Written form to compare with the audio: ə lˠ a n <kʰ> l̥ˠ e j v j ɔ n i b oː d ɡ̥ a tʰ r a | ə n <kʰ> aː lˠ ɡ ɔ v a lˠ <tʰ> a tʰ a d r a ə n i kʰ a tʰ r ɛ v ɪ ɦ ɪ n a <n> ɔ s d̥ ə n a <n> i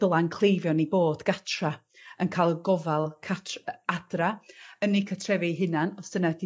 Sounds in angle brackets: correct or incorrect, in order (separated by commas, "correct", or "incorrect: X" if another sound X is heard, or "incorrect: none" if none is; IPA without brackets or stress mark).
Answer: correct, correct, incorrect: kʰ, correct, incorrect: d